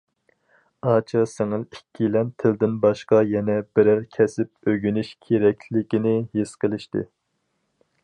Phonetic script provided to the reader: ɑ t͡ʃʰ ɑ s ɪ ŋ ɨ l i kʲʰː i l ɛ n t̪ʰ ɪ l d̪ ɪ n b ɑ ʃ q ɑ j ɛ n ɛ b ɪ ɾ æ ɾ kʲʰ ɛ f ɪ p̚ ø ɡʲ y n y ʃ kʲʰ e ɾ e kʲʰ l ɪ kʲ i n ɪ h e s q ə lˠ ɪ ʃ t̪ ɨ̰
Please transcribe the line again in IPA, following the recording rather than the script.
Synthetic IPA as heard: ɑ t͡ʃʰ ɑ s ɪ ŋ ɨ l i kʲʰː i l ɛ n t̪ʰ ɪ l d̪ ɪ n b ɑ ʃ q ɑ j ɛ n ɛ b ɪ ɾ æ ɾ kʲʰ ɛ s ɪ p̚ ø ɡʲ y n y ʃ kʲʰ e ɾ ɛ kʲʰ l ɪ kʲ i n ɪ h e s q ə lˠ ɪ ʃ t̪ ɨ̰